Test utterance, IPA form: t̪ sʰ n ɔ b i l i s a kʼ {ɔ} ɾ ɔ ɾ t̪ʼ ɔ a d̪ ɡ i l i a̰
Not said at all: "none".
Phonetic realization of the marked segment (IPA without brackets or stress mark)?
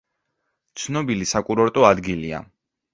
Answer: u